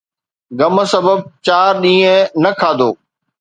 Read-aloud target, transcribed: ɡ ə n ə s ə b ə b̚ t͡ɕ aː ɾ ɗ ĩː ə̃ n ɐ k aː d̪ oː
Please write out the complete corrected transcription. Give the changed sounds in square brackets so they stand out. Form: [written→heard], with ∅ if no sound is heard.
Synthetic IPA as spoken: ɡ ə [n→m] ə s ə b ə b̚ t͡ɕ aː ɾ ɗ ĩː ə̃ n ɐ [k→kʰ] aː d̪ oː